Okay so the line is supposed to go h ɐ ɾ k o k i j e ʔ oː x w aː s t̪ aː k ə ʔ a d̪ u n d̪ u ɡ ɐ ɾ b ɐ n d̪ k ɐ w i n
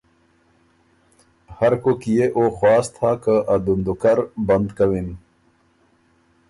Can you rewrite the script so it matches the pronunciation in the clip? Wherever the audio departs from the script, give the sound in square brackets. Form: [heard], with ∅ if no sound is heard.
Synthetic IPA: h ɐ ɾ k o k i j e ʔ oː x w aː s [t̪ʰ] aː k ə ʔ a d̪ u n d̪ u [k] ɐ ɾ b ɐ n d̪ k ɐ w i n